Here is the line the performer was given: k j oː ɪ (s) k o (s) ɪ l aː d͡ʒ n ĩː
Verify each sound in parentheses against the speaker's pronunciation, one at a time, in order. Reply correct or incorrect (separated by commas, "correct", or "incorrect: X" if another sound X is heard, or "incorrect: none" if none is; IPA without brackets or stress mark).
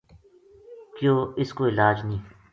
correct, incorrect: none